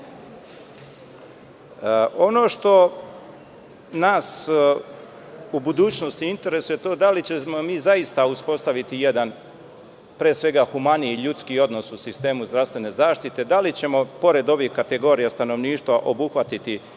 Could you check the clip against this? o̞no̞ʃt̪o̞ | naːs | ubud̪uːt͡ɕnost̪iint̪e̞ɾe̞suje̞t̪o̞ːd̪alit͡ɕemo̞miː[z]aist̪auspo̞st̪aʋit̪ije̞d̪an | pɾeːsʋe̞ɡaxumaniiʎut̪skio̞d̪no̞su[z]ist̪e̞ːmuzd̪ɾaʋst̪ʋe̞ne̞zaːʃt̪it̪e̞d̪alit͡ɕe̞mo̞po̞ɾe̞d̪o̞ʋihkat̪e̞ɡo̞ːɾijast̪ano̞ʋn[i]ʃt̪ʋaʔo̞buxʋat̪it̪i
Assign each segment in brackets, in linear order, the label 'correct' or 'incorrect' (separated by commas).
correct, incorrect, incorrect